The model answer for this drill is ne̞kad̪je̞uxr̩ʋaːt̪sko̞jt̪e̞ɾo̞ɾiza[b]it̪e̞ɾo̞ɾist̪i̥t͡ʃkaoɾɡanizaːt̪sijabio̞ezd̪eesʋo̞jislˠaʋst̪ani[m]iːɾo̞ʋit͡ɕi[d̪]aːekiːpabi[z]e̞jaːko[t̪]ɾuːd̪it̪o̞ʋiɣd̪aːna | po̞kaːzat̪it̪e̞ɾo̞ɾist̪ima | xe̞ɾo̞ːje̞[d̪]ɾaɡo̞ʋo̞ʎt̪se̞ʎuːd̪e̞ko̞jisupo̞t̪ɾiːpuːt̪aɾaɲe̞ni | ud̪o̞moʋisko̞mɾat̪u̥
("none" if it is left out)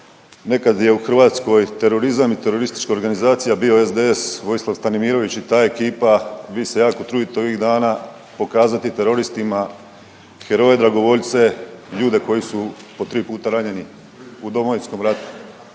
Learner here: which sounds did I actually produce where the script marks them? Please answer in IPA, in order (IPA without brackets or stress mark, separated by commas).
m, m, t̪, s, t̪, d̪